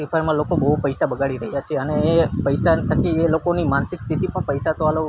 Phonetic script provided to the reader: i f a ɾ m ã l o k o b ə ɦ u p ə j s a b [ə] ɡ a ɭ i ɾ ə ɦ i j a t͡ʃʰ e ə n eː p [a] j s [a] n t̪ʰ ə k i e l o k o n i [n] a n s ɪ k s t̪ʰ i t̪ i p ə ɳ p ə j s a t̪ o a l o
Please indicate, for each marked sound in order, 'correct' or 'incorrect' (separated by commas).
correct, incorrect, correct, incorrect